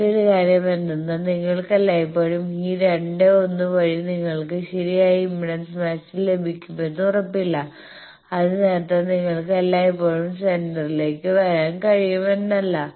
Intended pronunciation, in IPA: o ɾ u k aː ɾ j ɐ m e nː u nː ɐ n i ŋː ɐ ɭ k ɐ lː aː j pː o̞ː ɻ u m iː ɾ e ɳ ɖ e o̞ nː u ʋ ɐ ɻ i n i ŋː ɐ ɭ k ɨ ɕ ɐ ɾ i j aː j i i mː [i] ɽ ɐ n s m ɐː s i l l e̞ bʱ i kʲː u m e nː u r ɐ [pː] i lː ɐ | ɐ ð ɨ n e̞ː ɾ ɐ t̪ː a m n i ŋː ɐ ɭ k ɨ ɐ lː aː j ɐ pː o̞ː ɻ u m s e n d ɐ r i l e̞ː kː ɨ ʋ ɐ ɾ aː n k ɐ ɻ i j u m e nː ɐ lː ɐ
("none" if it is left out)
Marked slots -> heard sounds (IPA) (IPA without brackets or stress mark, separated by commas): i, pː